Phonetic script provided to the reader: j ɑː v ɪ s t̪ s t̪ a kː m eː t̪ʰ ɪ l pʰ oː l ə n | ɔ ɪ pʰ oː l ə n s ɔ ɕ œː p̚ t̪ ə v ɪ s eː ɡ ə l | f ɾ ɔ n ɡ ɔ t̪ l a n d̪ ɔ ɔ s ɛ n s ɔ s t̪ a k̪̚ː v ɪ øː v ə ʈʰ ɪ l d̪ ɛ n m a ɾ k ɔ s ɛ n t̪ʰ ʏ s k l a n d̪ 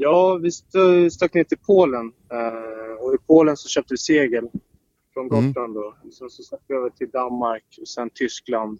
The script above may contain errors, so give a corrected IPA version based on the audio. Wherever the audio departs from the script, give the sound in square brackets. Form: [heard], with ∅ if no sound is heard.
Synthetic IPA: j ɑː v ɪ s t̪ s t̪ a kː [n] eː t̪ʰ ɪ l pʰ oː l ə n | ɔ ɪ pʰ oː l ə n s ɔ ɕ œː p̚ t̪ ə v ɪ s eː ɡ ə l | f ɾ ɔ n ɡ ɔ t̪ l a n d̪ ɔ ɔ s ɛ n s ɔ s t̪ a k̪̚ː v ɪ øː v ə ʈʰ ɪ l d̪ [a] n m a ɾ k ɔ s ɛ n t̪ʰ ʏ s k l a n d̪